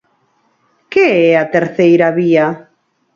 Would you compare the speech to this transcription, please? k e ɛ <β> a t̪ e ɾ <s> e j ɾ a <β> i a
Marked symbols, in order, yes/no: no, no, yes

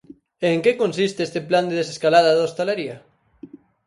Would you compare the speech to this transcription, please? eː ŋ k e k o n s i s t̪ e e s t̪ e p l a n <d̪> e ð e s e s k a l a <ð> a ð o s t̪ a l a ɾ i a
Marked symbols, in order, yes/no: yes, yes

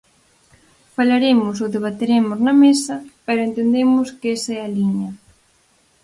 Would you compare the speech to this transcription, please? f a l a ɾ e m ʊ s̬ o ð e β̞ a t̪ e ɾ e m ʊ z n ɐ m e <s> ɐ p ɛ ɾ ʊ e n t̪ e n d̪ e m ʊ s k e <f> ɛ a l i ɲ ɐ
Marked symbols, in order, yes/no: yes, no

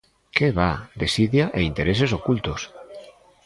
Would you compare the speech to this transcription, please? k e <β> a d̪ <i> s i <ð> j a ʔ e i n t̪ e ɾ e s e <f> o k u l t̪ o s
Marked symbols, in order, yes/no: yes, no, yes, no

